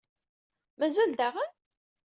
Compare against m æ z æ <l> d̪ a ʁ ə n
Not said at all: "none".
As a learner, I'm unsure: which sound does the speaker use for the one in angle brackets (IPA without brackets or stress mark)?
l